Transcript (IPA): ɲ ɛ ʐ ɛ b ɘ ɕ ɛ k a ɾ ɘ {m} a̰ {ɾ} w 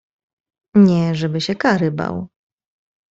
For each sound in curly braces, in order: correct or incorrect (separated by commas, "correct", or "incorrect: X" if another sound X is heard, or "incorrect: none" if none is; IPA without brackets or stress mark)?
incorrect: b, incorrect: none